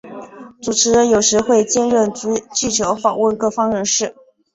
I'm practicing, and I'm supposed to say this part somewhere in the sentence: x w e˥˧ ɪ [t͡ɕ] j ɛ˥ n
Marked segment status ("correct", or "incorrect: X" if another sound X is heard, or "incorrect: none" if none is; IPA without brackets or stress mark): correct